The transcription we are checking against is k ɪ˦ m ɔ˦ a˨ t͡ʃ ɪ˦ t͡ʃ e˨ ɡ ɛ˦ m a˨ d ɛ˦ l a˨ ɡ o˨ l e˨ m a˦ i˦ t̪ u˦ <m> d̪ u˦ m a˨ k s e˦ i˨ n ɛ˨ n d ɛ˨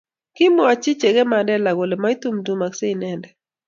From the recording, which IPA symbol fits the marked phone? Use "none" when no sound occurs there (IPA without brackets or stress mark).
m